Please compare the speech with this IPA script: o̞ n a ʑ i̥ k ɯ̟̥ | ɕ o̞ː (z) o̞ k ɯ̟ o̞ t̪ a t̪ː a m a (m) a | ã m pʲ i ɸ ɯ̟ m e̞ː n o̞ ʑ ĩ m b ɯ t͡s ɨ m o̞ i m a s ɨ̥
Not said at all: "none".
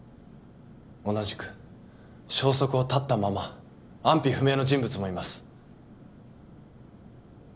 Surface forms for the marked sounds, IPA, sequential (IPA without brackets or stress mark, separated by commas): s, m